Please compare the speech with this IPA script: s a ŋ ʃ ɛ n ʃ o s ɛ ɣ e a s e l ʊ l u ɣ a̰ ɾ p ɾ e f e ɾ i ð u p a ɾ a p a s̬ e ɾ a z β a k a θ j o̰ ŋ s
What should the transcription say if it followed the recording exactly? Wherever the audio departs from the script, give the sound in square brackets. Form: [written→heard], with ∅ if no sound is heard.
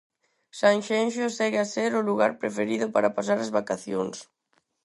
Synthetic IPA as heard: s a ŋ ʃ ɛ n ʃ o s ɛ ɣ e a s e [l→ɾ] ʊ l u ɣ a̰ ɾ p ɾ e f e ɾ i ð [u→ʊ] p a ɾ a p a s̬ [e→a] ɾ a z β a k a θ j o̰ ŋ s